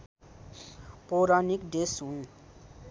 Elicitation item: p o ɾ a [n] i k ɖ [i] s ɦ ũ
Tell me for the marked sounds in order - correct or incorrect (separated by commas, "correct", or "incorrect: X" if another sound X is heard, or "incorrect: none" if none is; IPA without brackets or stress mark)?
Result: correct, incorrect: e